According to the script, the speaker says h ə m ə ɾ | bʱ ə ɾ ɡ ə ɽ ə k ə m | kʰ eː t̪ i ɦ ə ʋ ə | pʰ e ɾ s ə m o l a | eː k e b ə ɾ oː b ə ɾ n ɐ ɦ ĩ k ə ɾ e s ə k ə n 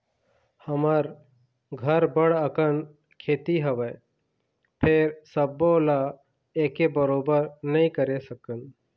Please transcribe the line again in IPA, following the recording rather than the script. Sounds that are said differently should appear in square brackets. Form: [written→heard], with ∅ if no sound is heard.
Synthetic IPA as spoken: h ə m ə ɾ | [bʱ→ɡʱ] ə ɾ [ɡ→b] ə ɽ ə k ə [m→n] | kʰ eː t̪ i ɦ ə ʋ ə | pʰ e ɾ s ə [m→b] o l a | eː k e b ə ɾ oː b ə ɾ n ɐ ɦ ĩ k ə ɾ e s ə k ə n